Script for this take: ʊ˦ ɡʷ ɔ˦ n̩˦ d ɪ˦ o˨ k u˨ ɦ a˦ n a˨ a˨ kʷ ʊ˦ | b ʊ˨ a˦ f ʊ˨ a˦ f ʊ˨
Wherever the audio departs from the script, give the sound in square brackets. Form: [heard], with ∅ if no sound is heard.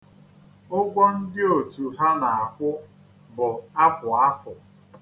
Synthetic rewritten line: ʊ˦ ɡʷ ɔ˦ n̩˦ d ɪ˦ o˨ [t] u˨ ɦ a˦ n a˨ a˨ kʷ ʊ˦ | b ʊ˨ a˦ f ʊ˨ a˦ f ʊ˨